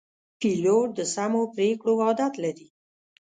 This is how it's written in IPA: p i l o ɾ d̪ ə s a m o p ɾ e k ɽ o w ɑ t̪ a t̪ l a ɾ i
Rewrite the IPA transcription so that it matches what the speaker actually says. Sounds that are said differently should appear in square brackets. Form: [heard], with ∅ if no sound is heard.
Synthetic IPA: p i l o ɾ d̪ ə s a m o p ɾ e k ɽ o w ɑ [d̪] a t̪ l a ɾ i